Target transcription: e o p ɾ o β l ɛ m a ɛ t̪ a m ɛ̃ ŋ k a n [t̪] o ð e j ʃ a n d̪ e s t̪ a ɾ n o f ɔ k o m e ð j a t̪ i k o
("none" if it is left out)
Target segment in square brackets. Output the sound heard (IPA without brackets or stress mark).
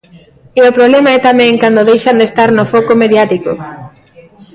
d̪